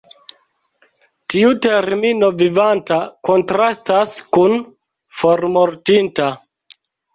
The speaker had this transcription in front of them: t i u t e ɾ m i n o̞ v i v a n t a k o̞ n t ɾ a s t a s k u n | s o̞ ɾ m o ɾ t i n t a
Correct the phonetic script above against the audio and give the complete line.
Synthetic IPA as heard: t i u t e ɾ m i n o̞ v i v a n t a k o̞ n t ɾ a s t a s k u n | f o̞ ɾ m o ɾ t i n t a